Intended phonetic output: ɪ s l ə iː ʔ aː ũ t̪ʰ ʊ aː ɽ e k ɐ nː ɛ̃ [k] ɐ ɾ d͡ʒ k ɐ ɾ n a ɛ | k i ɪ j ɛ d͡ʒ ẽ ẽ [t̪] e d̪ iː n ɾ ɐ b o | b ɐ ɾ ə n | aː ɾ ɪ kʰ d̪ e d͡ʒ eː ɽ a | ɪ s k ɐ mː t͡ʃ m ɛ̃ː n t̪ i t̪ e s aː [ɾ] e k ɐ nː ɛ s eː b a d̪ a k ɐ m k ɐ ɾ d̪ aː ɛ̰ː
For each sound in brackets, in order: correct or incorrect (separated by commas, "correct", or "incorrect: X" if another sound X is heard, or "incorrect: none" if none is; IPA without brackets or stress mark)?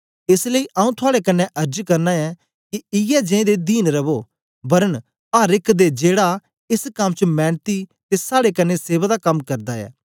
incorrect: ʔ, incorrect: d̪, incorrect: ɽ